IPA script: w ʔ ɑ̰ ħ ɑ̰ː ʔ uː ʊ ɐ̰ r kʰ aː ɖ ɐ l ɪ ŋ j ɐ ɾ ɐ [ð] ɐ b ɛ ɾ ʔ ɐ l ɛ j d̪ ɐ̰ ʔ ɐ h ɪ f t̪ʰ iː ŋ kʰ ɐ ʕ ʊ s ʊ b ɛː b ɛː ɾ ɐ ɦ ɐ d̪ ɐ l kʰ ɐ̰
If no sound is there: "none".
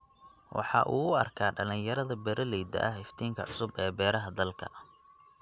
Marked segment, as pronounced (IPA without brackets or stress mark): ð